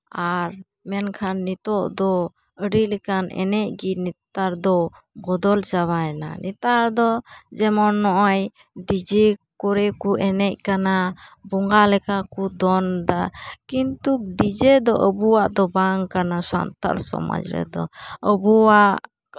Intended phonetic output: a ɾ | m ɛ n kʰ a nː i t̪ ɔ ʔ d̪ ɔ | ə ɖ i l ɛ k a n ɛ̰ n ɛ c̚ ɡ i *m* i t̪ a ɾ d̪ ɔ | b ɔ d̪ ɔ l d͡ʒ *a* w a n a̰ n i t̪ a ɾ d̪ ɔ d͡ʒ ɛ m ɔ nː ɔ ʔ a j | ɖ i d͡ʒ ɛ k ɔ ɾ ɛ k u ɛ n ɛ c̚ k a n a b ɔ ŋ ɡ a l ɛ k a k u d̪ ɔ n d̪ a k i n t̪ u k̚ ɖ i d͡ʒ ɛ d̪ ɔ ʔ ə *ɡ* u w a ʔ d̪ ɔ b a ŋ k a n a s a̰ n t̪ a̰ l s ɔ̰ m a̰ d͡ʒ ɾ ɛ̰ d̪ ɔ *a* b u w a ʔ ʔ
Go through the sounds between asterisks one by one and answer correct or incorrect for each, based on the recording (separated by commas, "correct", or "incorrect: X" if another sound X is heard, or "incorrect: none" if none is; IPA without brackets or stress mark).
incorrect: n, correct, incorrect: b, incorrect: ə